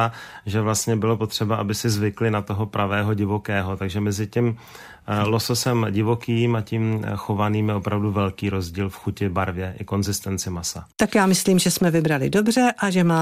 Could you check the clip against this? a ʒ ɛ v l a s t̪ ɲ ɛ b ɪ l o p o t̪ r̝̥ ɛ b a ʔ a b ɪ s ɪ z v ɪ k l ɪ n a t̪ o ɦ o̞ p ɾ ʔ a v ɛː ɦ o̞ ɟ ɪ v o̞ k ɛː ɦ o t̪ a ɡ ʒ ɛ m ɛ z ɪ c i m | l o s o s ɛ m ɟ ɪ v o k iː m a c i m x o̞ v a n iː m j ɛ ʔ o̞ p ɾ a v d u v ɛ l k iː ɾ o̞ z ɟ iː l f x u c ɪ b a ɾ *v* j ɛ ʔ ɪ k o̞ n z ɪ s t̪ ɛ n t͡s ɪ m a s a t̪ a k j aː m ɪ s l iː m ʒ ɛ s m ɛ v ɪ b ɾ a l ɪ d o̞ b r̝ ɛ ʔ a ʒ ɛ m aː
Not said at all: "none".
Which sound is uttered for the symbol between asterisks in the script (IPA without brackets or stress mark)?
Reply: v